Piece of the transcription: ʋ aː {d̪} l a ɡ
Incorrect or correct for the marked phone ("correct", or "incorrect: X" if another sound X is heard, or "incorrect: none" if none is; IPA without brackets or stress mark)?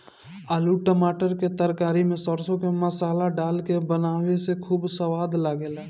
correct